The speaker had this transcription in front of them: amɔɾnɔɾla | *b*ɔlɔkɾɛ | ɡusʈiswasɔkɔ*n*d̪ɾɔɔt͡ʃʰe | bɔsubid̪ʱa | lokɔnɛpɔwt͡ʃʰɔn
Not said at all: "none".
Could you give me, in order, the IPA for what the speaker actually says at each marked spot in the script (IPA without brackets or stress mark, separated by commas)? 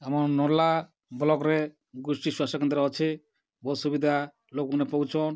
b, n